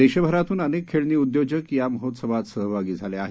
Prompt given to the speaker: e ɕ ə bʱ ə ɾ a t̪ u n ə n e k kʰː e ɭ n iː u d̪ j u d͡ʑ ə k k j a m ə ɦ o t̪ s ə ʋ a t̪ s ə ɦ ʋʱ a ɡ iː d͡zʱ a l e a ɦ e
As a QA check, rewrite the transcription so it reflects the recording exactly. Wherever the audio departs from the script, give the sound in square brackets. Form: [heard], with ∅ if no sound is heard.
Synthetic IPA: e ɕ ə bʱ ə ɾ a t̪ [uː] n ə n e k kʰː e ɭ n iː u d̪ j [o] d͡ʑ ə k k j a m ə ɦ o t̪ s ə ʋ a t̪ s ə ɦ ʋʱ a ɡ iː d͡zʱ a l e a ɦ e